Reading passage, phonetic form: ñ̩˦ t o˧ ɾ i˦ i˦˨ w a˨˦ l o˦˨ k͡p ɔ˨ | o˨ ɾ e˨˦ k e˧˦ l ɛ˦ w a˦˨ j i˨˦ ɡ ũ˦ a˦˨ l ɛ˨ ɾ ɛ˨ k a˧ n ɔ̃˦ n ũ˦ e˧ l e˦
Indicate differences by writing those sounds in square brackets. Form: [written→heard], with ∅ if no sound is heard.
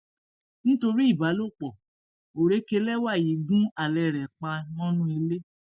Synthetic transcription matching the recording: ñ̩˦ t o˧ ɾ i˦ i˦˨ [w→b] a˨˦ l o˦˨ k͡p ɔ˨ | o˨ ɾ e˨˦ k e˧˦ l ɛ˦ w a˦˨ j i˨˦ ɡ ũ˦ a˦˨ l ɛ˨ ɾ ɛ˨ [k→k͡p] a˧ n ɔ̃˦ n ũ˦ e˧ l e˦

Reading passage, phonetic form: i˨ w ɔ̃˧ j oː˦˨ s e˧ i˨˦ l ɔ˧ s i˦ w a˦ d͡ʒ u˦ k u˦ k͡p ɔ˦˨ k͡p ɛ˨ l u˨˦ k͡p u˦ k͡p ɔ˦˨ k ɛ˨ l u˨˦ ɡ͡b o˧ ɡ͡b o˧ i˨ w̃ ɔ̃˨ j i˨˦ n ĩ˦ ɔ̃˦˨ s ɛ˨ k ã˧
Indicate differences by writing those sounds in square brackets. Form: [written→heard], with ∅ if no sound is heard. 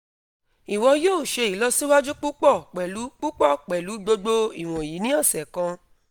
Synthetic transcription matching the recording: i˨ w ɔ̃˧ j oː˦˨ [s→ʃ] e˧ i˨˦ l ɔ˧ s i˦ w a˦ d͡ʒ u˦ [k→k͡p] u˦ k͡p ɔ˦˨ k͡p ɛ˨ l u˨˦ k͡p u˦ k͡p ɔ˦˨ [k→k͡p] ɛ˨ l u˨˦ ɡ͡b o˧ ɡ͡b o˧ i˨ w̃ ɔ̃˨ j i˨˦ n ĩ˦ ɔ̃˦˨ s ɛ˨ k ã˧

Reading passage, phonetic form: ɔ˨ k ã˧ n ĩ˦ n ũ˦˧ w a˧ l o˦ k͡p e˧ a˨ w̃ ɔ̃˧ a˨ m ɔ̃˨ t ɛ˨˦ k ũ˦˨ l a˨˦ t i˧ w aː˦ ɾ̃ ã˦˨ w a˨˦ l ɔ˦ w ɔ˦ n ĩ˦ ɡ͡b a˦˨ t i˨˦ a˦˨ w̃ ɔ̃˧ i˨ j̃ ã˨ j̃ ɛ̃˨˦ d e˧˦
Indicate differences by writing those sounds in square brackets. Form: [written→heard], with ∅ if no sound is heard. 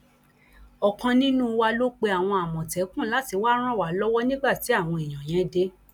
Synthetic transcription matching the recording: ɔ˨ k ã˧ n ĩ˦ n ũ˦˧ w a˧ l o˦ k͡p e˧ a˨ w̃ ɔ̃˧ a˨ m ɔ̃˨ t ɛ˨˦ k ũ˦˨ l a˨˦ t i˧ w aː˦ ɾ̃ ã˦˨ w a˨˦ l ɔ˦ w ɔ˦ n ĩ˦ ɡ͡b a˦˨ t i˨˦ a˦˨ w̃ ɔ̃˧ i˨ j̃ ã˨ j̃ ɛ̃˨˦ d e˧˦

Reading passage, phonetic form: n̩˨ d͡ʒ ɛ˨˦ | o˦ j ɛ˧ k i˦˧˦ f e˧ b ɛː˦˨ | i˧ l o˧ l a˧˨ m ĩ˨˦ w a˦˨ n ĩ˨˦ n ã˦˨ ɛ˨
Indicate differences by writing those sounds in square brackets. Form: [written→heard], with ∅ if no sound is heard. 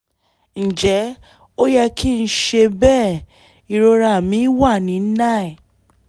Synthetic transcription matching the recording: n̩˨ d͡ʒ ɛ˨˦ | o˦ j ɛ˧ k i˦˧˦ [f→ʃ] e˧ b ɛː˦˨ | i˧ [l→ɾ] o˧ [l→ɾ] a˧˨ m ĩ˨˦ w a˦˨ n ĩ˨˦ n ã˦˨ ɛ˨

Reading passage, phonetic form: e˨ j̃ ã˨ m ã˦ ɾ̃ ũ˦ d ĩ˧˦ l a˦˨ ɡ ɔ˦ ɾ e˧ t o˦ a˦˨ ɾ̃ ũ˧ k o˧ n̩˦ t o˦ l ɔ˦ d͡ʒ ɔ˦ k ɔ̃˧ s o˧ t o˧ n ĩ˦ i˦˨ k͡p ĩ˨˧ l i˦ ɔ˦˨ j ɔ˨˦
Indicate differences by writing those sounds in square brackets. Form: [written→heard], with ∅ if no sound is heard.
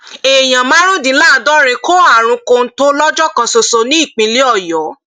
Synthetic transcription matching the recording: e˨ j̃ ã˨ m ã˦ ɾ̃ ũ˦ d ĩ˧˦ l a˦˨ [ɡ→d] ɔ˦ ɾ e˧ [t→k] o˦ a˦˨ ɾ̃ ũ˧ k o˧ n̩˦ t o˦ l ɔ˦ d͡ʒ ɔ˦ k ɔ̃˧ s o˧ [t→s] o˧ n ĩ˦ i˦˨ k͡p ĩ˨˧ l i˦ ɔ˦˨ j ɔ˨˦

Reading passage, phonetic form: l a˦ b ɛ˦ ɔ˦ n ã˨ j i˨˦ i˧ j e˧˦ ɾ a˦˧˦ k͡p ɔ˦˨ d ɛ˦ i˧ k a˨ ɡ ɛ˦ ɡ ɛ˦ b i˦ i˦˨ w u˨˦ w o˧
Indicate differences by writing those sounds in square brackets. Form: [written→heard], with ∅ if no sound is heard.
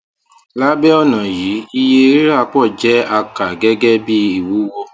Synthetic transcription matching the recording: l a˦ b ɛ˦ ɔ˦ n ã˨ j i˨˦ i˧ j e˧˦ ɾ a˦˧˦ k͡p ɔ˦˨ [d→d͡ʒ] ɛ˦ [i˧→a˧] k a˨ ɡ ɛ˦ ɡ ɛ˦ b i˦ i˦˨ w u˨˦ w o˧

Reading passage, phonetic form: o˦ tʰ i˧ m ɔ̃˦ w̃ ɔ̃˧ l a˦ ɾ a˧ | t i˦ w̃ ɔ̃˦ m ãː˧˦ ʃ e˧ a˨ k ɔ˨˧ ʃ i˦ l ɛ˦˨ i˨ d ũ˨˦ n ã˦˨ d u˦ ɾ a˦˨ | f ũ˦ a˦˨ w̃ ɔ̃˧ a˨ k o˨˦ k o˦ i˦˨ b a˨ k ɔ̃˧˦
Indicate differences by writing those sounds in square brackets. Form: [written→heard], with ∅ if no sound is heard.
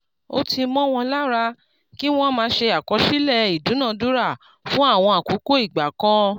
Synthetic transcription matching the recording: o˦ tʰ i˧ m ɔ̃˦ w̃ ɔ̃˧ l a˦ ɾ a˧ | [t→k] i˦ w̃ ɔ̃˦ m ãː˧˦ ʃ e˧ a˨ k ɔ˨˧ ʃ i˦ l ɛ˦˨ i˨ d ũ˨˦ n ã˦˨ d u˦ ɾ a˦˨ | f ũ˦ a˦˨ w̃ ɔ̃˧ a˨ k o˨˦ k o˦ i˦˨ [b→ɡ͡b] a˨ k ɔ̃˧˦

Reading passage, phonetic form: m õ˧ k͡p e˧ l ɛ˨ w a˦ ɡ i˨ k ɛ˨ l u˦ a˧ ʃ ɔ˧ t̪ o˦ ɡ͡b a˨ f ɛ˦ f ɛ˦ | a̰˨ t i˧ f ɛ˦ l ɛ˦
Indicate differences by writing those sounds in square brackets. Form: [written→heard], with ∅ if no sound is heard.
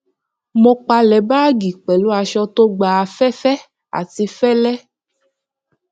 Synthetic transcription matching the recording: m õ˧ k͡p [e˧→a˧] l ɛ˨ [w→b] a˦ ɡ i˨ [k→k͡p] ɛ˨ l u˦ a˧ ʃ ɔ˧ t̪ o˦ ɡ͡b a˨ f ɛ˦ f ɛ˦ | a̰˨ t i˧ f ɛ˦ l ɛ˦

